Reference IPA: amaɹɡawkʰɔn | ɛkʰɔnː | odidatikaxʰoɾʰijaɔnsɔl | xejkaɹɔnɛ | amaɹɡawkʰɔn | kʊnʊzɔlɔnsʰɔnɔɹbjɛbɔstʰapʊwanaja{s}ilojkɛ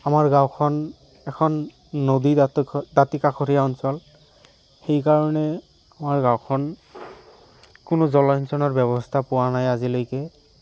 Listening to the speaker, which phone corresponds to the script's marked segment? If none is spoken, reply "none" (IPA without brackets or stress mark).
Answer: z